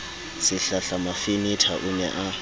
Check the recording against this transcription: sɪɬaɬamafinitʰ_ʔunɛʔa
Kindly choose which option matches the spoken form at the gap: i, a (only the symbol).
a